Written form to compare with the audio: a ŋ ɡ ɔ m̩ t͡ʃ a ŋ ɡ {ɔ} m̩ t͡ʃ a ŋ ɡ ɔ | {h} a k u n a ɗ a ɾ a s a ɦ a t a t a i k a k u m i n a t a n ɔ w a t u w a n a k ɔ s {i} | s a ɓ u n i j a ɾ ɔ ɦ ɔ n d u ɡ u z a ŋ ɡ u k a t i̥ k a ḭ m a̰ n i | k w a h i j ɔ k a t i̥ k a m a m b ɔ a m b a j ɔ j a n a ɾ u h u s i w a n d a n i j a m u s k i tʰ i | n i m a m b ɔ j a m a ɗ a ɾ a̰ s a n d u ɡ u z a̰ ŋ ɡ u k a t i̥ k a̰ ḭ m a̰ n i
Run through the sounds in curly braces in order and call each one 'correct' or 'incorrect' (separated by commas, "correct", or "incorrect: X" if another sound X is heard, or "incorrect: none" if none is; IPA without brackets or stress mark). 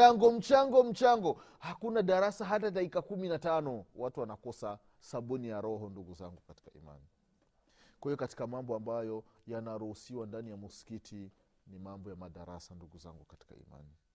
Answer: correct, correct, incorrect: a